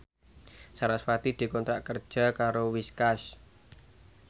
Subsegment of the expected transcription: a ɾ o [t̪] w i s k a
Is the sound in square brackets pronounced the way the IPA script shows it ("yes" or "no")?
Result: no